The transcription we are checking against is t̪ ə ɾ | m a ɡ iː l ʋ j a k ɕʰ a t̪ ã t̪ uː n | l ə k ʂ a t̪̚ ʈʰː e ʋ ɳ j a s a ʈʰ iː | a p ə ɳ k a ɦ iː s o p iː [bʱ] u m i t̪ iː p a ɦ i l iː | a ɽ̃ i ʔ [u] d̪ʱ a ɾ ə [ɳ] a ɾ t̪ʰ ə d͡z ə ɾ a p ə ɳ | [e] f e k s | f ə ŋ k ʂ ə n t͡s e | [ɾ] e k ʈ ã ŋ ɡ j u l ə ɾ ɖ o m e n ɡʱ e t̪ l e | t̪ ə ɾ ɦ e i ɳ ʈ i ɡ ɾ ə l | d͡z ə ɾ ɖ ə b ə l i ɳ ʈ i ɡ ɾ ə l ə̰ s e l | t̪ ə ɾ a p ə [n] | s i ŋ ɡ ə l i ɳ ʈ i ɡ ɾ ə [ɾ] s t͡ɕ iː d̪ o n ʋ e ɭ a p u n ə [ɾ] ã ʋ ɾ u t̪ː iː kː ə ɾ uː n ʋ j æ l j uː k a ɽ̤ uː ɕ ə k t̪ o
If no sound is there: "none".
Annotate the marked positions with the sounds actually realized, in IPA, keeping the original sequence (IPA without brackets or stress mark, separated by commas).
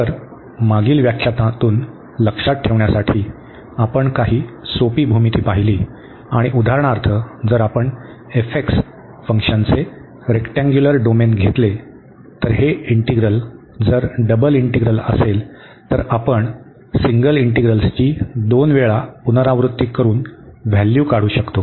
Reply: bʱ, u, ɳ, e, ɾ, ɳ, l, ɾ